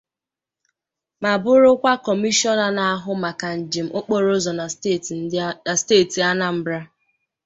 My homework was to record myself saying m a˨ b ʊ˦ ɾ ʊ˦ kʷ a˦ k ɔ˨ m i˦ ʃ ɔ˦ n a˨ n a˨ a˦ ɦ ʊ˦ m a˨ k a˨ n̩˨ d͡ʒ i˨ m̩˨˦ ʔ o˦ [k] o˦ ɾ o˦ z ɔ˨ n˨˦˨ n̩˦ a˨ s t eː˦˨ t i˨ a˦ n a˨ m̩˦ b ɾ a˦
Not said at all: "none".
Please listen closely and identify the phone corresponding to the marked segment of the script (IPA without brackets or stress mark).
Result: k͡p